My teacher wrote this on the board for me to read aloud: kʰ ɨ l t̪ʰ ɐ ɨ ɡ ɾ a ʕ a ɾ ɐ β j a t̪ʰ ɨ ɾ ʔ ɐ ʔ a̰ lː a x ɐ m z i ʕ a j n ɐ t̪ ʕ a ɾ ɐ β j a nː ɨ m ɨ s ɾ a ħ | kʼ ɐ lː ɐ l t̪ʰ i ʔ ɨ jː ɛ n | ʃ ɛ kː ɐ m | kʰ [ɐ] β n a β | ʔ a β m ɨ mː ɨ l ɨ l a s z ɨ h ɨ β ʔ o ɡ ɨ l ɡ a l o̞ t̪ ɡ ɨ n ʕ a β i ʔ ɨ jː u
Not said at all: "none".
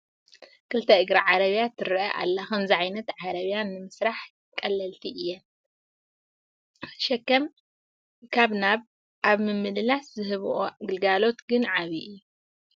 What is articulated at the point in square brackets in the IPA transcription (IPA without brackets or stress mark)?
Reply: a